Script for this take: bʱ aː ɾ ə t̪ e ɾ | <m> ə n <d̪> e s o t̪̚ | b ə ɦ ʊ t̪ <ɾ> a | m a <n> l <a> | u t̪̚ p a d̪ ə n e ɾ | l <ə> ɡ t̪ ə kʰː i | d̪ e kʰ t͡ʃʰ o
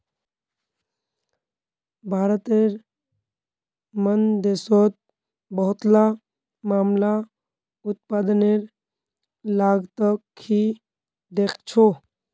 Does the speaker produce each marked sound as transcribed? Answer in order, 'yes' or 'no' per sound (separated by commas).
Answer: yes, yes, no, no, yes, no